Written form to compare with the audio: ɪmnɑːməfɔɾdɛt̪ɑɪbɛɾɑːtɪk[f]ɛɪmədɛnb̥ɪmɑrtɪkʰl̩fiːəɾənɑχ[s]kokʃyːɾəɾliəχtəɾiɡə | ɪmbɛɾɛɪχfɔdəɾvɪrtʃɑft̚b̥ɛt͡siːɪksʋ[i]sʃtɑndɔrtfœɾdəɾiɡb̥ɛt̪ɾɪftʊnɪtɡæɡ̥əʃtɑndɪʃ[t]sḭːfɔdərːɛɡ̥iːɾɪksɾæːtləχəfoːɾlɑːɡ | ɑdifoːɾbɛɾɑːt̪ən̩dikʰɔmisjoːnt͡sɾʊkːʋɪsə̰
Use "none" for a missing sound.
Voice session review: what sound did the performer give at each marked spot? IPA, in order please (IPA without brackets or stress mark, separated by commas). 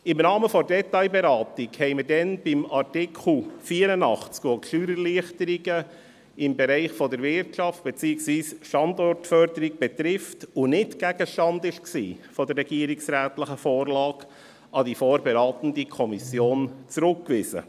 h, t͡s, iː, k